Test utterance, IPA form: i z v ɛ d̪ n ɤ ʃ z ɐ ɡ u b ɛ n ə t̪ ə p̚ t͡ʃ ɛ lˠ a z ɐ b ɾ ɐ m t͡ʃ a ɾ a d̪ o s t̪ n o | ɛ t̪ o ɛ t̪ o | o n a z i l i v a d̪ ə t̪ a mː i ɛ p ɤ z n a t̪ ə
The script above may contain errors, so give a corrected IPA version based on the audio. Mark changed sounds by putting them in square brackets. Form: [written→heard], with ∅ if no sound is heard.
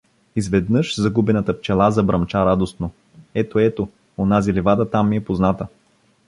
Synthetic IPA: i z v ɛ d̪ n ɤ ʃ z ɐ ɡ u b ɛ n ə t̪ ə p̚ t͡ʃ ɛ lˠ a z ɐ b ɾ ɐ m t͡ʃ a ɾ a d̪ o s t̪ n o | ɛ t̪ o ɛ t̪ o | o n a z i l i v a d̪ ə t̪ a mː i ɛ p [ɤ→o] z n a t̪ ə